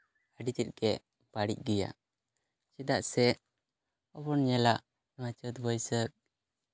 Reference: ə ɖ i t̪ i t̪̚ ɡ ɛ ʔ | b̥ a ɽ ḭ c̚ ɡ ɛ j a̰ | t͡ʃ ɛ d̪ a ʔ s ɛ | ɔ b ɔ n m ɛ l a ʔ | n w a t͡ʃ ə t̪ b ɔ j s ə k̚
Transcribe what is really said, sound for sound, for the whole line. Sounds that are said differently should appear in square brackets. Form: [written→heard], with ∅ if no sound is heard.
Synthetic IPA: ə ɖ i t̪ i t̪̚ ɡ ɛ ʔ | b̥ a ɽ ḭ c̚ ɡ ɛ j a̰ | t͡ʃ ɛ d̪ a ʔ s ɛ | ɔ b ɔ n [m→ɲ] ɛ l a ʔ | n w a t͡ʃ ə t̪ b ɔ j s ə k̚